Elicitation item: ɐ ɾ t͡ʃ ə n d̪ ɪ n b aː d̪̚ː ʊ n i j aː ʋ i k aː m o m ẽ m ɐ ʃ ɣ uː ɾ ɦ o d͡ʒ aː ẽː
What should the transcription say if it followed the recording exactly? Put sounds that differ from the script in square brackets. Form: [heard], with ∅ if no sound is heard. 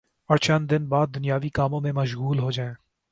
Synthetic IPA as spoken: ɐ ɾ t͡ʃ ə n d̪ ɪ n b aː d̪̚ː ʊ n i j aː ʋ i k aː m [õ] m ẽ m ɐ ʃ ɣ uː [l] ɦ o d͡ʒ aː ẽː